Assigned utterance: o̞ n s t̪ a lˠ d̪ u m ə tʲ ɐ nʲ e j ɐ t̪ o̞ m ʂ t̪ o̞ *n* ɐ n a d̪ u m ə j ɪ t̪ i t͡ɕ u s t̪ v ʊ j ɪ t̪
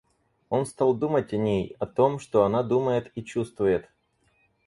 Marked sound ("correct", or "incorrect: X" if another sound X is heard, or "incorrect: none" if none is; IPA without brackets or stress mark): incorrect: none